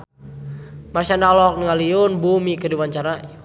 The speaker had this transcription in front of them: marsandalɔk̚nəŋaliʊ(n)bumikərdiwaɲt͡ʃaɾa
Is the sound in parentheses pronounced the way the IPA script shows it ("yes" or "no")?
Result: yes